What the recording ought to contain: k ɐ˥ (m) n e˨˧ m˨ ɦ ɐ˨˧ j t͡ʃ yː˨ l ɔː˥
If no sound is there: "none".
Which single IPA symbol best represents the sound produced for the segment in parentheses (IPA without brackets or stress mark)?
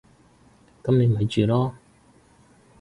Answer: m